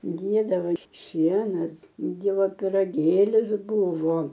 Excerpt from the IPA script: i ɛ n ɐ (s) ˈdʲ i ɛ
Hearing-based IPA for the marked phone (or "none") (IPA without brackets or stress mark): s